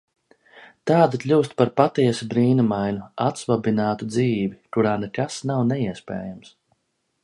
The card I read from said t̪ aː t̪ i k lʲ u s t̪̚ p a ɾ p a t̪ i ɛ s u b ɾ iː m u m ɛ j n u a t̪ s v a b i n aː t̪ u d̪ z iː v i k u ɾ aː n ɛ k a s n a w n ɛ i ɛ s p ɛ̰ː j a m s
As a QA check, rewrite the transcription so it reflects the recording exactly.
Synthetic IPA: t̪ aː d̪ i k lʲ uː s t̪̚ p a ɾ p a t̪ i ɛ s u b ɾ iː n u m a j n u a t̪ s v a b i n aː t̪ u d̪ z iː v i k u ɾ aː n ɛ k a s n a w n ɛ i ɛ s p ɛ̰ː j a m s